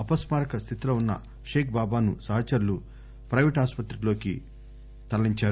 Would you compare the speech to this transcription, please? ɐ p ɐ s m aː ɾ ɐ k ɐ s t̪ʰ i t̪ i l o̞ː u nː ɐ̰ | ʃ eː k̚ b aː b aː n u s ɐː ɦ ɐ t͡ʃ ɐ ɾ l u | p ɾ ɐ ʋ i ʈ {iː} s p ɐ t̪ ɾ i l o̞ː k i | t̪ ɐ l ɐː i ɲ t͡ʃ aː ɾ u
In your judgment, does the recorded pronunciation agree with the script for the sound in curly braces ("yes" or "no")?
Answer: no